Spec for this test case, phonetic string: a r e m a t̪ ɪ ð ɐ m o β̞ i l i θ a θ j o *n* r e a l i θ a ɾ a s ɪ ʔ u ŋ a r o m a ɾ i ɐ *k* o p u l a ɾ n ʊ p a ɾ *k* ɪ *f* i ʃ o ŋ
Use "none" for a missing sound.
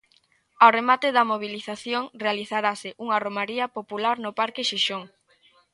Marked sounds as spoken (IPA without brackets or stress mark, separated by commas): ŋ, p, k, ʃ